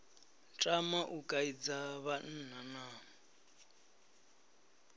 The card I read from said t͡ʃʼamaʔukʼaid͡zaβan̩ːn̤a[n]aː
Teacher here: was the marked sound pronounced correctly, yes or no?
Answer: yes